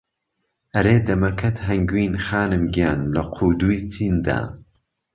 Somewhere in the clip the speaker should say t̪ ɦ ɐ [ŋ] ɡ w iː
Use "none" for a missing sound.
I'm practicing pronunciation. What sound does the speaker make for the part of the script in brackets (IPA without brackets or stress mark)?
ŋ